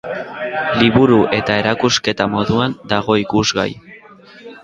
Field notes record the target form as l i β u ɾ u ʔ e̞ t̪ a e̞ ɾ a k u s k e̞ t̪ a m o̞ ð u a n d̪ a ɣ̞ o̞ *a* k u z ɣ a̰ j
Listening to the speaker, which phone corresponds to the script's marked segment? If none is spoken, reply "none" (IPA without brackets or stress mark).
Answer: i